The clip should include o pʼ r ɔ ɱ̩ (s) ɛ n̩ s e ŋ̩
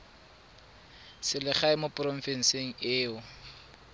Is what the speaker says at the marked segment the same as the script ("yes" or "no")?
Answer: no